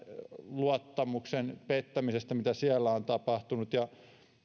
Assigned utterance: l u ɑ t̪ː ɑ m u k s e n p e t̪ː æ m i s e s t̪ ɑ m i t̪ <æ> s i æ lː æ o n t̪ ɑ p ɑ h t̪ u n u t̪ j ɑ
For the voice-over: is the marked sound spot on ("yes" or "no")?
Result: yes